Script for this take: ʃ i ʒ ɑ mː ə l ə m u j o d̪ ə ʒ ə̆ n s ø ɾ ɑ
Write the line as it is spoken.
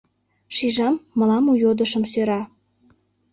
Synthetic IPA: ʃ i ʒ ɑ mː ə l ɑ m u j o d̪ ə ʃ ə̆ m s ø ɾ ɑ